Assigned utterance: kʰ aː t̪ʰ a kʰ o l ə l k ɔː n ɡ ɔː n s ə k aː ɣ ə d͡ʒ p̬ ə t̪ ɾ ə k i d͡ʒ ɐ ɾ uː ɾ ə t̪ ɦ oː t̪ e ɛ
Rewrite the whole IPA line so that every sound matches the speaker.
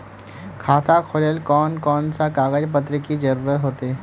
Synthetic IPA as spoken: kʰ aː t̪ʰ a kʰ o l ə l k ɔː n k ɔː n s a k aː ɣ ə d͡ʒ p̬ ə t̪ ɾ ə k i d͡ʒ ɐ ɾ uː ɾ ə t̪ ɦ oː t̪ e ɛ